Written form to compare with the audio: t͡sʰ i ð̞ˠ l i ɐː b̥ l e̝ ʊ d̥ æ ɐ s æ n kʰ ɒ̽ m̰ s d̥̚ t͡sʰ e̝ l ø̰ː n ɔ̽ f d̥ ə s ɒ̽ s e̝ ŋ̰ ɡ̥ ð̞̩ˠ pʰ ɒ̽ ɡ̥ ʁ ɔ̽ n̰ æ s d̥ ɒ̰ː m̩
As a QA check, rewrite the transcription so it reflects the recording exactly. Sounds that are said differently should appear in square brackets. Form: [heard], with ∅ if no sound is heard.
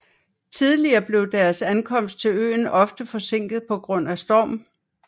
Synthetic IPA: t͡sʰ i ð̞ˠ l i ɐː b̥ l e̝ ʊ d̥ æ ɐ s æ n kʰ ɒ̽ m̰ s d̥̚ t͡sʰ e̝ l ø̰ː n [ɒ̽] f d̥ ə [f] ɒ̽ s e̝ ŋ̰ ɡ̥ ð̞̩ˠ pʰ ɒ̽ ɡ̥ ʁ ɔ̽ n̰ æ s d̥ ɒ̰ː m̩